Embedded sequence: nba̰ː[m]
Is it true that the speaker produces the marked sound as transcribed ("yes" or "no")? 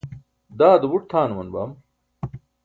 yes